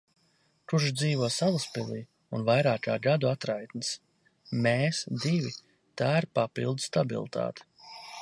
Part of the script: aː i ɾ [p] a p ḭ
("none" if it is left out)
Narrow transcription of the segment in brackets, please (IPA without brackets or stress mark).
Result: p